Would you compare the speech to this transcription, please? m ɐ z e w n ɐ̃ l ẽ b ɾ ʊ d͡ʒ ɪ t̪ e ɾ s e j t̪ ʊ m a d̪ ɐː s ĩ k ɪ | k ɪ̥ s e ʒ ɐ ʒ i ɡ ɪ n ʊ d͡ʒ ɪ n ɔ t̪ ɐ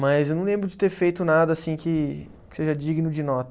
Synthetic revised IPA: m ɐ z e w n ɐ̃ l ẽ b ɾ ʊ d͡ʒ ɪ t̪ e ɾ f e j t̪ ʊ n a d̪ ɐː s ĩ k ɪ | k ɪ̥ s e ʒ ɐ d͡ʒ i ɡ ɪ n ʊ d͡ʒ ɪ n ɔ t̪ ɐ